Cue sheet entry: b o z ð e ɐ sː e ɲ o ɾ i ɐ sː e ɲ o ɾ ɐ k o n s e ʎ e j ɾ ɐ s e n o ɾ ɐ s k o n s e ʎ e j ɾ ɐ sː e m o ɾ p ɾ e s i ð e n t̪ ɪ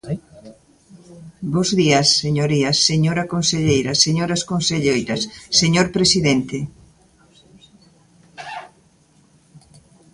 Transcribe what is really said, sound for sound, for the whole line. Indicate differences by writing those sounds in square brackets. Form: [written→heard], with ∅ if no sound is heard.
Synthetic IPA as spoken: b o z ð [e→i] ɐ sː e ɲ o ɾ i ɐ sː e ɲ o ɾ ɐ k o n s e ʎ e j ɾ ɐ s e [n→ɲ] o ɾ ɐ s k o n s e ʎ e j ɾ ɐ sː e [m→ɲ] o ɾ p ɾ e s i ð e n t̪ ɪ